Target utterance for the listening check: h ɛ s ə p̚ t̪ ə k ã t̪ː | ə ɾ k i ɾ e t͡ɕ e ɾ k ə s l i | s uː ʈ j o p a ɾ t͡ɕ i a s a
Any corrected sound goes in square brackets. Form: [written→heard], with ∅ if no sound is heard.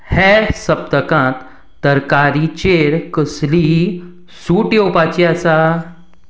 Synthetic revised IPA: h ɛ s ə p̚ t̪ ə k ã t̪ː | ə ɾ k [i→a] ɾ [e→i] t͡ɕ e ɾ k ə s l i | s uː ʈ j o p a [ɾ→∅] t͡ɕ i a s a